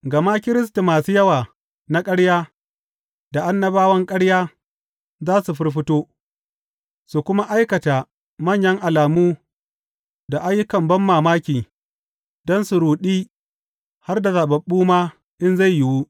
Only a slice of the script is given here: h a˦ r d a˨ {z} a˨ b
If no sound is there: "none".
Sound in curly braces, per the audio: z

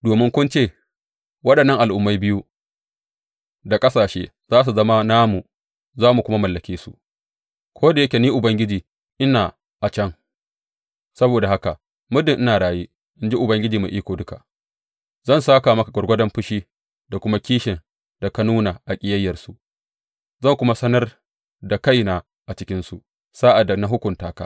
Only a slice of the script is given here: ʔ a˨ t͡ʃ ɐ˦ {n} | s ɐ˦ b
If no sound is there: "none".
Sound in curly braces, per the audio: ŋ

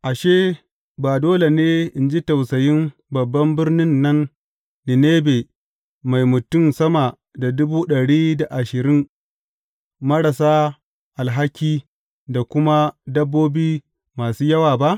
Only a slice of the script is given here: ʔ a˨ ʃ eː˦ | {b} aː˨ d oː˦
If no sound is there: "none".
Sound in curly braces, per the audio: b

